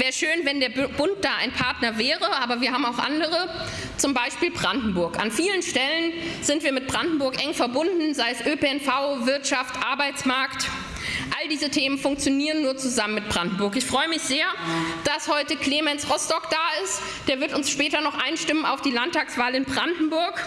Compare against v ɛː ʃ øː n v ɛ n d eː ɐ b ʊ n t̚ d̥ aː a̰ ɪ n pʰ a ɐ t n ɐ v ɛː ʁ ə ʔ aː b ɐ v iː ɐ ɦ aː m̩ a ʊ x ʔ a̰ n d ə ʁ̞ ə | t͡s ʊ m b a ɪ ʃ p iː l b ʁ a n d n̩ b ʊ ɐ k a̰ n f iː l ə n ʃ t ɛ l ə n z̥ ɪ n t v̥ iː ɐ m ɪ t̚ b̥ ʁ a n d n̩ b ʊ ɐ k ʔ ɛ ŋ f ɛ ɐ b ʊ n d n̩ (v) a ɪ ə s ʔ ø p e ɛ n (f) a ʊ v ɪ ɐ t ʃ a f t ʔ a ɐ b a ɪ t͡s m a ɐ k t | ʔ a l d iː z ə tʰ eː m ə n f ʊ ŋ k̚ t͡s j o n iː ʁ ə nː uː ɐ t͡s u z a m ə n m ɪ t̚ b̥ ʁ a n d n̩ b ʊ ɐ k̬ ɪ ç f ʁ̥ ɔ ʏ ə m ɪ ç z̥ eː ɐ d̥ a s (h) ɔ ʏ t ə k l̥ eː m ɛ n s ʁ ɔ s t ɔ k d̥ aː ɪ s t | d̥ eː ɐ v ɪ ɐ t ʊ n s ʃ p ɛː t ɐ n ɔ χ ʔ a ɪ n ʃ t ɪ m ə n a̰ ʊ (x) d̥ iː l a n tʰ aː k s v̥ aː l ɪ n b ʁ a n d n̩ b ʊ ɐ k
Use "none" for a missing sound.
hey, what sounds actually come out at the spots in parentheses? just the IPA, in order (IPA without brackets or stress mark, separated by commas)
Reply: z, f, h, f